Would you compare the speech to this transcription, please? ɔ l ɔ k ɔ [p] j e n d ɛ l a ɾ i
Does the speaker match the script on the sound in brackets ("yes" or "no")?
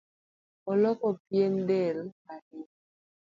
yes